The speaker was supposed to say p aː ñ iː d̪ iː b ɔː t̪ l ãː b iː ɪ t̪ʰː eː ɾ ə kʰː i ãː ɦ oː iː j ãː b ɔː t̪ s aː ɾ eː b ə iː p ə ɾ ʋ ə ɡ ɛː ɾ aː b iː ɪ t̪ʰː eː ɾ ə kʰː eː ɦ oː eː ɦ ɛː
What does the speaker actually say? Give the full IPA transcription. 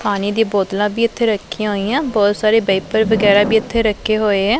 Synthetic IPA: p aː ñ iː d̪ iː b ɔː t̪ l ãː b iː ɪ t̪ʰː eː ɾ ə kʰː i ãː ɦ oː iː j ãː b ɔː t̪ s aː ɾ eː b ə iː p ə ɾ ʋ ə ɡ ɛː ɾ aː b iː ɪ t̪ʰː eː ɾ ə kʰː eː ɦ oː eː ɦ ɛː